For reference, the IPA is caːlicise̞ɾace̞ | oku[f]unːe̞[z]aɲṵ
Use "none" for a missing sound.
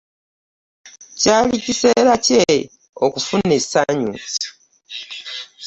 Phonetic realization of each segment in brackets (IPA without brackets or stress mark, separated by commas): f, s